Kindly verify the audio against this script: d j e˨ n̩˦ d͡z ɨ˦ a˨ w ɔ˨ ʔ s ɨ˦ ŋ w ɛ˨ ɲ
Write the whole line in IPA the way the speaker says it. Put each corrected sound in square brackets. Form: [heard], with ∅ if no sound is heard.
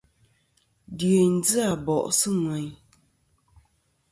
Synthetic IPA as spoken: d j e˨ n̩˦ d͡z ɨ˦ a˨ [b] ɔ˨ ʔ s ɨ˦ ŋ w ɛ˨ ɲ